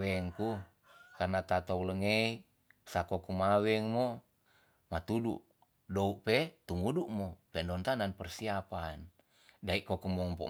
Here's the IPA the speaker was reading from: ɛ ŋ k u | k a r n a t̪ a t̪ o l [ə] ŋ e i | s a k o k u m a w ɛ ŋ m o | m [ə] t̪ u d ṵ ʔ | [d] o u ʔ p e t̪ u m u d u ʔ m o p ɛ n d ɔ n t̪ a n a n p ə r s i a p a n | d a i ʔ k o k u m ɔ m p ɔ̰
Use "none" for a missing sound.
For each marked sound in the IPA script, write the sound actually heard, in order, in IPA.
ə, a, d

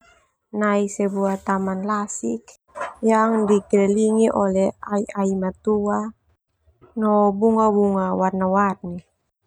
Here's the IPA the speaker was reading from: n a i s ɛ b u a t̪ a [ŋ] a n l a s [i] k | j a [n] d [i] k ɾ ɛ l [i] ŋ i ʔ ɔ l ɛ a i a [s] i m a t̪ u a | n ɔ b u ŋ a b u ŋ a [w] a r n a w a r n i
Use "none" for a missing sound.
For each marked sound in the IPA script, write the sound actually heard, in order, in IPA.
m, i, ŋ, i, i, none, w

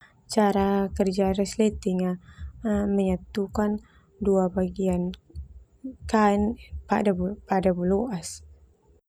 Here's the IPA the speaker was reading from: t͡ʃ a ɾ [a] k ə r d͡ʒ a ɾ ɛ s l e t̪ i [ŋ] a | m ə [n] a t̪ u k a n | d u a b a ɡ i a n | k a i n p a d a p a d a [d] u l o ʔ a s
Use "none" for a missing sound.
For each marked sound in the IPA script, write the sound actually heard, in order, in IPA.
a, ŋ, ɲ, b

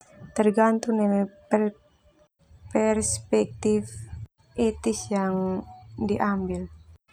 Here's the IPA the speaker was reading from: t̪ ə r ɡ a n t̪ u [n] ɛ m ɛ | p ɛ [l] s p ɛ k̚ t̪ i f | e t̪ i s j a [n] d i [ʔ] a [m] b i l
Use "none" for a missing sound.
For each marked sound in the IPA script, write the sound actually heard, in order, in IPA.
n, r, ŋ, ʔ, m

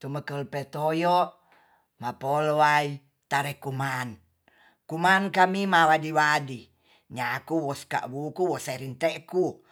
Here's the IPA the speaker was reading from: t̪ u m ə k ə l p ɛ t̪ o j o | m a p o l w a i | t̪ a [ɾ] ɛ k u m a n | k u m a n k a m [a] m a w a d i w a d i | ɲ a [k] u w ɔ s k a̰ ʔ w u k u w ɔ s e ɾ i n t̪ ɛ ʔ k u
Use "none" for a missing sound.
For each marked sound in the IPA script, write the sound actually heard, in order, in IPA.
ɾ, i, k

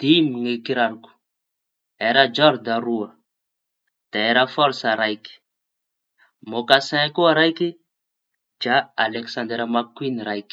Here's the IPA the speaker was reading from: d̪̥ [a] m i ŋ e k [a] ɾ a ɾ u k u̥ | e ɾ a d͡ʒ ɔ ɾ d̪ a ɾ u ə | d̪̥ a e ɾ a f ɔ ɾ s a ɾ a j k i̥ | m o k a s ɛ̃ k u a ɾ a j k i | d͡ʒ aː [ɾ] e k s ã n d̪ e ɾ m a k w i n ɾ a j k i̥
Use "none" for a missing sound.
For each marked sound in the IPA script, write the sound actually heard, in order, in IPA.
i, i, l

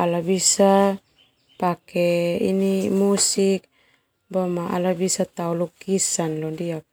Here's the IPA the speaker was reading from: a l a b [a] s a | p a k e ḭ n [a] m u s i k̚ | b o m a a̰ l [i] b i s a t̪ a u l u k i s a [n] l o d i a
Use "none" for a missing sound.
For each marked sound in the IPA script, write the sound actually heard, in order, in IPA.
i, i, a, n

